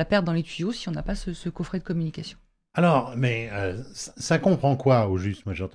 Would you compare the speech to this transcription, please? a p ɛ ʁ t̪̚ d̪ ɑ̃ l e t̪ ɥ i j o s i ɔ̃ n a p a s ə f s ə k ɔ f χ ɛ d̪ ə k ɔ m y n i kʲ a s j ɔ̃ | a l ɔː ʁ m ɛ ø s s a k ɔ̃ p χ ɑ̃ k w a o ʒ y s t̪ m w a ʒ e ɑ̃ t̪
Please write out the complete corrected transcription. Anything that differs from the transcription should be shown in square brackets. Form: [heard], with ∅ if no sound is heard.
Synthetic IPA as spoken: a p ɛ ʁ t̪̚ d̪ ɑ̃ l e t̪ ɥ i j o s i ɔ̃ n a p a s ə [∅] s ə k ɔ f χ ɛ d̪ ə k ɔ m y n i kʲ a s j ɔ̃ | a l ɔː ʁ m ɛ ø s s a k ɔ̃ p χ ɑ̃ k w a o ʒ y s t̪ m w a ʒ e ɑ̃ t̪